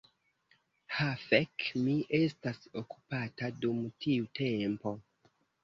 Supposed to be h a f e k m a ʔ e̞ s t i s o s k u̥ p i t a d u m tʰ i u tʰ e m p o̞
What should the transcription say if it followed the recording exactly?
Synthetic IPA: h a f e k m i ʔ e̞ s t a s o k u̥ p a t a d u m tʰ i u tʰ e m p o̞